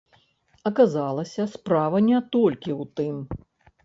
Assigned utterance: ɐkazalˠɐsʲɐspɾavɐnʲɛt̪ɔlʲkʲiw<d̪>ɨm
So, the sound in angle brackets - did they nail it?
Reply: no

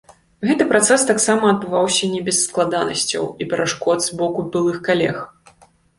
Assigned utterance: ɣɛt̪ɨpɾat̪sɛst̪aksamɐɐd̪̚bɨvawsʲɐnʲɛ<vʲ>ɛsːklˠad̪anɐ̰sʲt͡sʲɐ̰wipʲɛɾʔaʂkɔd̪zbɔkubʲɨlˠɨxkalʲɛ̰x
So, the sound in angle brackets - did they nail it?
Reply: no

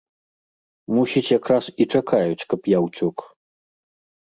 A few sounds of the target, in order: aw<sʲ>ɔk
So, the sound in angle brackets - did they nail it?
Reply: no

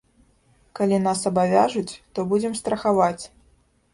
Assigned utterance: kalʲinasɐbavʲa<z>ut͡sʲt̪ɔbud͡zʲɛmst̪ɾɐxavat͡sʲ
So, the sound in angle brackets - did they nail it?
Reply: no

